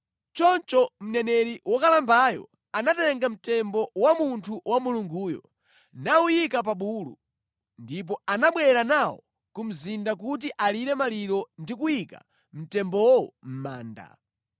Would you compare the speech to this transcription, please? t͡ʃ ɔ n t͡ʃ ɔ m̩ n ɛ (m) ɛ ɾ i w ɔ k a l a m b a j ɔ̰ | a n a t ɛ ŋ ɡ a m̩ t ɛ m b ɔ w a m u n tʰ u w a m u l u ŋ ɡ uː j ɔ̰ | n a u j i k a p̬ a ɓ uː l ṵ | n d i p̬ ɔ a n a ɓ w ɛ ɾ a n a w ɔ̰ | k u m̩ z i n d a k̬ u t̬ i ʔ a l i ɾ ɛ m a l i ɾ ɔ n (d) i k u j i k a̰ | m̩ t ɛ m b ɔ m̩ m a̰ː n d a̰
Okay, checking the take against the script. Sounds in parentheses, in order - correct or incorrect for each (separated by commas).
incorrect, correct